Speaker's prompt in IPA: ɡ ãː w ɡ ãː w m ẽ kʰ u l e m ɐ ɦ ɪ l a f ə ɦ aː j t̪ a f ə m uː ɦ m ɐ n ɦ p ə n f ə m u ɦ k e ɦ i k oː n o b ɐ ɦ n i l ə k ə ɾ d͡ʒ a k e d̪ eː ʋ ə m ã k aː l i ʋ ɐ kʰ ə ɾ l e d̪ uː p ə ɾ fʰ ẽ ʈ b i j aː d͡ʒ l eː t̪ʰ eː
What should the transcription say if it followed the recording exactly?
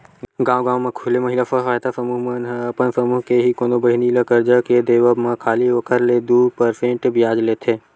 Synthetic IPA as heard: ɡ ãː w ɡ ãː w m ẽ kʰ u l e m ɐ ɦ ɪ l a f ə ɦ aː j t̪ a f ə m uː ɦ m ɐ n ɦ p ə n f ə m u ɦ k e ɦ i k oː n o b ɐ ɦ n i l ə k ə ɾ d͡ʒ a k e d̪ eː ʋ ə m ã kʰ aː l i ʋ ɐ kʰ ə ɾ l e d̪ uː p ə ɾ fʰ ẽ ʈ b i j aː d͡ʒ l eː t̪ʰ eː